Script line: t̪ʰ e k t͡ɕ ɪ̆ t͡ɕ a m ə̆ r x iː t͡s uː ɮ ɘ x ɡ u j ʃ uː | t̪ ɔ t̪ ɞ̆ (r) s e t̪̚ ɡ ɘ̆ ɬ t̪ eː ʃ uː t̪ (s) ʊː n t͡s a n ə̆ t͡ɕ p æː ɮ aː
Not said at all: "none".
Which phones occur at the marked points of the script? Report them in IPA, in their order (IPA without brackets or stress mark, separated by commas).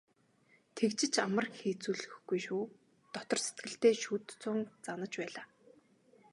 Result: r, t͡s